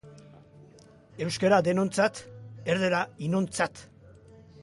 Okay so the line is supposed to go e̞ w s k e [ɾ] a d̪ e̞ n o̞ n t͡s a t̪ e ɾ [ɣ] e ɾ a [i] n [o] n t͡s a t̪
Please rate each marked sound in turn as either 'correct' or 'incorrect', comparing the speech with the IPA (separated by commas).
correct, incorrect, correct, correct